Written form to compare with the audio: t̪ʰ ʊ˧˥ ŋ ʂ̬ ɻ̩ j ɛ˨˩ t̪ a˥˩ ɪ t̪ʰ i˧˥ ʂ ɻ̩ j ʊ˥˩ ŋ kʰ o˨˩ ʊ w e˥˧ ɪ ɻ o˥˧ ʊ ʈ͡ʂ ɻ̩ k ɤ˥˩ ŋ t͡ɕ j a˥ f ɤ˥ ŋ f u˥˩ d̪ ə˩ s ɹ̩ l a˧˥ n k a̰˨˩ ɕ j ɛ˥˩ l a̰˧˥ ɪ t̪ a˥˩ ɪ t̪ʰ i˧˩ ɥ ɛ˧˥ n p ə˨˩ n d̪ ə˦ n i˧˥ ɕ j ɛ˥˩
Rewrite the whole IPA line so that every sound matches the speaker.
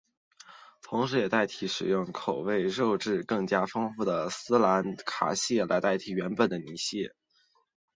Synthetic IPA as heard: t̪ʰ ʊ˧˥ ŋ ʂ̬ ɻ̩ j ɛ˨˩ t̪ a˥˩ ɪ t̪ʰ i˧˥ ʂ ɻ̩ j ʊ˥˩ ŋ kʰ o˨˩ ʊ w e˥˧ ɪ ɻ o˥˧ ʊ ʈ͡ʂ ɻ̩ k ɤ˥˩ ŋ t͡ɕ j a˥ f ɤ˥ ŋ f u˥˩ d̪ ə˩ s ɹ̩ l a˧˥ n kʰ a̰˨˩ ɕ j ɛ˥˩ l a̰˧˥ ɪ t̪ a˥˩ ɪ t̪ʰ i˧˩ ɥ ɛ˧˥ n p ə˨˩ n d̪ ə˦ n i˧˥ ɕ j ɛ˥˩